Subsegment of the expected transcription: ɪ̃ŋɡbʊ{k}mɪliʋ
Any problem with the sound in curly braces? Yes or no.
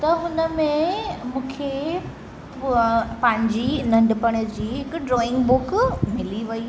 no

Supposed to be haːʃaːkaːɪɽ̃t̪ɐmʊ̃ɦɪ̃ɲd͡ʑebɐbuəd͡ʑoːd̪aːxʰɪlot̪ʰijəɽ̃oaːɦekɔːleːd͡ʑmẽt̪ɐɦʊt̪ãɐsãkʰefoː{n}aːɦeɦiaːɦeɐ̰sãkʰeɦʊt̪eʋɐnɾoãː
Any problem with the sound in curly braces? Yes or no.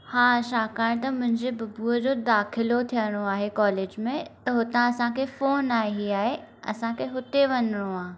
no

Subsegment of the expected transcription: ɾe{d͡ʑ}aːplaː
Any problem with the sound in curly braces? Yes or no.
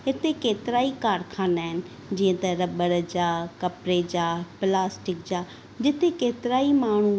no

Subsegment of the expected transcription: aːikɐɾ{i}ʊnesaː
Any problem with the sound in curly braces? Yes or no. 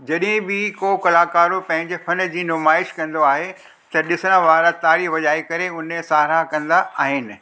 yes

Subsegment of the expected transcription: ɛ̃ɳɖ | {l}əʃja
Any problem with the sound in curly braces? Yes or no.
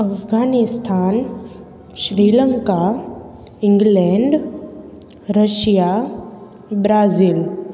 yes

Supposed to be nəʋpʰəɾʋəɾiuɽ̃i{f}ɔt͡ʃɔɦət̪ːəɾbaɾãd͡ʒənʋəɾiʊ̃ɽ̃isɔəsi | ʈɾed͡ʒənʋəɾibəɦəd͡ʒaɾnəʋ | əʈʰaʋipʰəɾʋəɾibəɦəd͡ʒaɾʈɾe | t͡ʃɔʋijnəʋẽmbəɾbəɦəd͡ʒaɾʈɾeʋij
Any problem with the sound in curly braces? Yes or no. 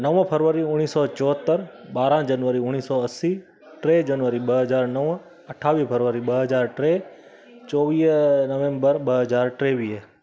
yes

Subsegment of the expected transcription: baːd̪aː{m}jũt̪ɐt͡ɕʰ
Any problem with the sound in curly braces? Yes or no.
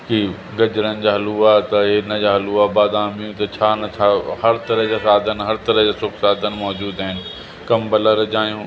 no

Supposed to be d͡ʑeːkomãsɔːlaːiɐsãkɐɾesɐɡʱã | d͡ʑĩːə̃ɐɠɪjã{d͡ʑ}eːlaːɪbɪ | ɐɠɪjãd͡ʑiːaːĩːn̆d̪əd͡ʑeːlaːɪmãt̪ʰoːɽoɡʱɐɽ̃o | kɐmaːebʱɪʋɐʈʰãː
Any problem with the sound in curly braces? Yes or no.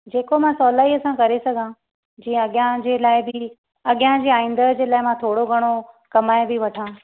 no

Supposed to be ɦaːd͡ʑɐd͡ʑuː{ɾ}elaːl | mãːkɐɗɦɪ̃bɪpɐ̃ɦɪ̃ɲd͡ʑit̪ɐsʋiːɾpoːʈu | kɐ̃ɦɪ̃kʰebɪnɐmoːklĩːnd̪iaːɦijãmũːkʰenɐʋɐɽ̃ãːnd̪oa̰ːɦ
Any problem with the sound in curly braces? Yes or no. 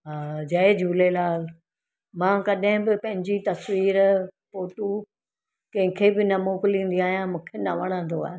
yes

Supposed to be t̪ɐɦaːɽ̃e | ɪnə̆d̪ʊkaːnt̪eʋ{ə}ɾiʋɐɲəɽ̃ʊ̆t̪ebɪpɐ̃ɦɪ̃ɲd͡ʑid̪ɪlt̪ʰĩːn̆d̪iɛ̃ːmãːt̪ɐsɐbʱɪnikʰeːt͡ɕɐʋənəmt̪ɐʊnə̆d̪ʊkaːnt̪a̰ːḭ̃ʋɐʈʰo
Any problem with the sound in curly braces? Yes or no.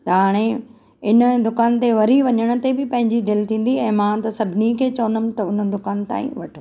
yes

